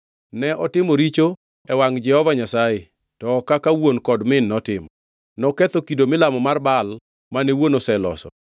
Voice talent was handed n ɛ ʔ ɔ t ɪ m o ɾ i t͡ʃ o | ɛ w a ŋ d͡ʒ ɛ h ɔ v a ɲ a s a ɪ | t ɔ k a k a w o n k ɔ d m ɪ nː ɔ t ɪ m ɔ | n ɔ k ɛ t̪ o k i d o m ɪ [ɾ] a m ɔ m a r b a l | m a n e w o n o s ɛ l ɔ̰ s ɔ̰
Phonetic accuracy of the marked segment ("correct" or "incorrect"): incorrect